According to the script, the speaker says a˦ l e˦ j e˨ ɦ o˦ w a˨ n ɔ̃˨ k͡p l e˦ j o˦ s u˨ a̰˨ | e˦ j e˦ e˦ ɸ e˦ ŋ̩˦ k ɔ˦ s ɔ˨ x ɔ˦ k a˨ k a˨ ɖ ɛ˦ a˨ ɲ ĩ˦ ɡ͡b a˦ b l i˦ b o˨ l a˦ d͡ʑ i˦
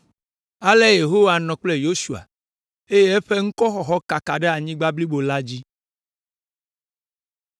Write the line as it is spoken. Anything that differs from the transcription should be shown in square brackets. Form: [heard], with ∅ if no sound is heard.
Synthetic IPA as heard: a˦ l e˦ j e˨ ɦ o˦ w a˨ n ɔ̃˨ k͡p l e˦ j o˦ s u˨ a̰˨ | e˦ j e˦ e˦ ɸ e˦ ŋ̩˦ k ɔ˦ [x] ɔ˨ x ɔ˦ k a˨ k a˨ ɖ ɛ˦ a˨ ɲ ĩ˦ ɡ͡b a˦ b l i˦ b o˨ l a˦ d͡ʑ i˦